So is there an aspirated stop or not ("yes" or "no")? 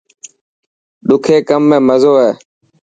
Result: yes